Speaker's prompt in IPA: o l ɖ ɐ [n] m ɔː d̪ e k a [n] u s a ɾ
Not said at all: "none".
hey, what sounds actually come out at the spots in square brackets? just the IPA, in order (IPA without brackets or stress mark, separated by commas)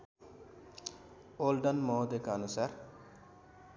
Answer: n, n